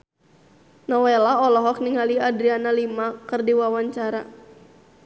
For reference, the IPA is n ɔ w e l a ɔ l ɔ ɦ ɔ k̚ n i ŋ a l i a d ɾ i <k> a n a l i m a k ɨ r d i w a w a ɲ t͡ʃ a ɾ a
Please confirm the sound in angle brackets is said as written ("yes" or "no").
no